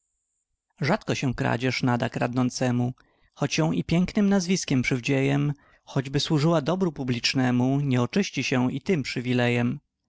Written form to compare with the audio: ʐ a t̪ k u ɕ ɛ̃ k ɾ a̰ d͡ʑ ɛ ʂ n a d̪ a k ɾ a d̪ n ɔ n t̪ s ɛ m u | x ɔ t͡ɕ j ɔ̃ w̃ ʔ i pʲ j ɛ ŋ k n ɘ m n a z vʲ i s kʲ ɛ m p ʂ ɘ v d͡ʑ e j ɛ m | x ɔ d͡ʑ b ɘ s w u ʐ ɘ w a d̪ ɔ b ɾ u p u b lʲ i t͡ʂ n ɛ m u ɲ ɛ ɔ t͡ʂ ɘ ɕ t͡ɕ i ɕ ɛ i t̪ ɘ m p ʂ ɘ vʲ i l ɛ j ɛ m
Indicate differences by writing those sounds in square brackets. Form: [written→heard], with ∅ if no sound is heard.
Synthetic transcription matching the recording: ʐ a t̪ k [u→ɔ] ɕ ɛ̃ k ɾ a̰ d͡ʑ ɛ ʂ n a d̪ a k ɾ a d̪ n ɔ n t̪ s ɛ m u | x ɔ t͡ɕ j ɔ̃ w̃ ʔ i pʲ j ɛ ŋ k n ɘ m n a z vʲ i s kʲ ɛ m p ʂ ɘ v d͡ʑ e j ɛ m | x ɔ d͡ʑ b ɘ s w u ʐ ɘ w a d̪ ɔ b ɾ u p u b lʲ i t͡ʂ n ɛ m u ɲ ɛ ɔ t͡ʂ ɘ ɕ t͡ɕ i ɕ ɛ i t̪ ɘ m p ʂ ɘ vʲ i l ɛ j ɛ m

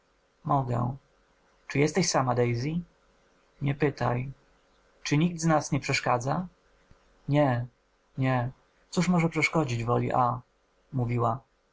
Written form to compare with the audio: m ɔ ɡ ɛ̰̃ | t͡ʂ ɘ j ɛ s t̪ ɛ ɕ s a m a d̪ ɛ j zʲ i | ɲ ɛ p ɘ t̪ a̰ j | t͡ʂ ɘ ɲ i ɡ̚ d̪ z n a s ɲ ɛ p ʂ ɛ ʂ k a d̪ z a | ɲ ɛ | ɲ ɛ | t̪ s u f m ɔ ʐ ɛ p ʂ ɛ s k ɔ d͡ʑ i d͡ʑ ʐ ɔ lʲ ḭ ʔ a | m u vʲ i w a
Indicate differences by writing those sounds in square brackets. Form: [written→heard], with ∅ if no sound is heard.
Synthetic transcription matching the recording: m ɔ ɡ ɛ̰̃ | t͡ʂ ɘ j ɛ s t̪ ɛ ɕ s a m a d̪ ɛ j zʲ i | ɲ ɛ p ɘ t̪ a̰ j | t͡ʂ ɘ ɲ i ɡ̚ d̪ z n a s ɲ ɛ p ʂ ɛ ʂ k a d̪ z a | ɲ ɛ | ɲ ɛ | t̪ s u [f→ʂ] m ɔ ʐ ɛ p ʂ ɛ [s→ʂ] k ɔ d͡ʑ i d͡ʑ [ʐ→v] ɔ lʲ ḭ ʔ a | m u vʲ i w a

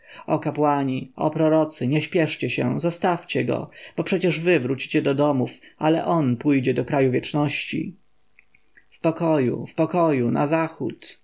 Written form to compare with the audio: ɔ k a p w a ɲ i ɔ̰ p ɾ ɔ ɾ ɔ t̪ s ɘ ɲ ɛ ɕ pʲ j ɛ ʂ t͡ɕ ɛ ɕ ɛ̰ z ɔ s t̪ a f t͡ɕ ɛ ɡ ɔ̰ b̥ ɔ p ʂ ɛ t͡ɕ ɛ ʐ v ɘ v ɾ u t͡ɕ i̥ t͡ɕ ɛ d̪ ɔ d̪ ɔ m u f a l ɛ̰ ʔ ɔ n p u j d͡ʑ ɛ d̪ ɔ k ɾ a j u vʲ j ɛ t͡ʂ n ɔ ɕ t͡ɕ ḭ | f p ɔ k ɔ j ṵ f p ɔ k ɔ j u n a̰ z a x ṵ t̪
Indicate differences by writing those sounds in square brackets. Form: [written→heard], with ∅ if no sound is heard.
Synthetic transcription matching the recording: ɔ k a p w a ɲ i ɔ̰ p ɾ ɔ ɾ ɔ t̪ s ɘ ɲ ɛ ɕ pʲ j ɛ ʂ t͡ɕ ɛ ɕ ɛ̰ z ɔ s t̪ a f t͡ɕ ɛ ɡ ɔ̰ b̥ ɔ p ʂ ɛ t͡ɕ ɛ ʐ v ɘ v ɾ u t͡ɕ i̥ t͡ɕ ɛ d̪ ɔ d̪ ɔ m u f a l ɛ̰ ʔ ɔ n p u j d͡ʑ ɛ d̪ ɔ k ɾ a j u vʲ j ɛ t͡ʂ n ɔ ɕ t͡ɕ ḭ | f p ɔ k ɔ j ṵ f p ɔ k ɔ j u n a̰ z a x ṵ t̪

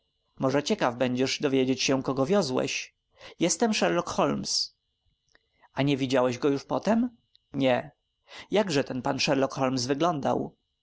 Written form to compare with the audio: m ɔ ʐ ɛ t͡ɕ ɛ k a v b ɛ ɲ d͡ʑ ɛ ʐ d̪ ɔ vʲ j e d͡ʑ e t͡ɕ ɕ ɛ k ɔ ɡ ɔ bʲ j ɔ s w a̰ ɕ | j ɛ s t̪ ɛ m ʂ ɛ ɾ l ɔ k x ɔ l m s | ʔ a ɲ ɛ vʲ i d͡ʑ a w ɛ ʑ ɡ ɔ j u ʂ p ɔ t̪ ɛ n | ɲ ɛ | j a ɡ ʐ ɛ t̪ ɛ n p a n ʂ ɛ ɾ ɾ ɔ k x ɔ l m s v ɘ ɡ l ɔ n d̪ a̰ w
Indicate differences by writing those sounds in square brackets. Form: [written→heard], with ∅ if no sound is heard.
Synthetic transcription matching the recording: m ɔ ʐ ɛ t͡ɕ ɛ k a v b ɛ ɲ d͡ʑ ɛ ʐ d̪ ɔ vʲ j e d͡ʑ e t͡ɕ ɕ ɛ k ɔ ɡ ɔ [bʲ→vʲ] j ɔ [s→z] w [a̰→ɛ̰] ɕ | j ɛ s t̪ ɛ m ʂ ɛ ɾ l ɔ k x ɔ l m s | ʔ a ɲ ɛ vʲ i d͡ʑ a w ɛ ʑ ɡ ɔ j u ʂ p ɔ t̪ ɛ [n→m] | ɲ ɛ | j a ɡ ʐ ɛ t̪ ɛ n p a n ʂ ɛ ɾ [ɾ→l] ɔ k x ɔ l m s v ɘ ɡ l ɔ n d̪ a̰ w

